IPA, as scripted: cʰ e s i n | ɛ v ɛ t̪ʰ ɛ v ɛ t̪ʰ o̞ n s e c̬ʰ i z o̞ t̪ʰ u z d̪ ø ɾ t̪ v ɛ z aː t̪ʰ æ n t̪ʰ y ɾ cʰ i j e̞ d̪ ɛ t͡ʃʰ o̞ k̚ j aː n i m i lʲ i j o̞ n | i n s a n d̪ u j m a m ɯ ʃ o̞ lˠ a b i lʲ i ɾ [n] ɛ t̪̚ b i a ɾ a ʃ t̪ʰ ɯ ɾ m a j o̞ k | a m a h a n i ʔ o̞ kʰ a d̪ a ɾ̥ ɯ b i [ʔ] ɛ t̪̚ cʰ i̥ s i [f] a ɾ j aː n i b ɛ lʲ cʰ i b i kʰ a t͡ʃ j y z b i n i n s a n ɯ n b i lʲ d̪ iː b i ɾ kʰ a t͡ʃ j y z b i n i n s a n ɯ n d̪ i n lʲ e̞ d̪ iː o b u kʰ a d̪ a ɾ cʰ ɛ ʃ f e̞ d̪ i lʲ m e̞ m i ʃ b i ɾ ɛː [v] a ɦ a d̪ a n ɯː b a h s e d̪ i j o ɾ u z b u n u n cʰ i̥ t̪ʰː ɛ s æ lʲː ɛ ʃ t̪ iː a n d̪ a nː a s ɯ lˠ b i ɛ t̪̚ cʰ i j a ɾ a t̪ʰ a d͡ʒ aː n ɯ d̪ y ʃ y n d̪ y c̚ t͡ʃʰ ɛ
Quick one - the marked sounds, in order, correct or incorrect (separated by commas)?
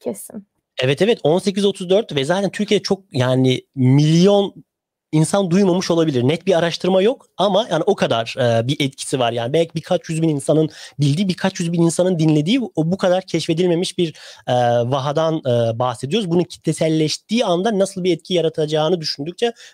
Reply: correct, correct, incorrect, correct